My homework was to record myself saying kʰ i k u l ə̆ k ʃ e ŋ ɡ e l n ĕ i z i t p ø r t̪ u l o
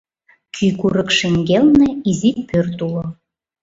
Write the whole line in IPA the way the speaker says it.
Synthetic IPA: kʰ y k u ɾ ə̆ k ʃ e ŋ ɡ e l n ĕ i z i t p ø r t̪ u l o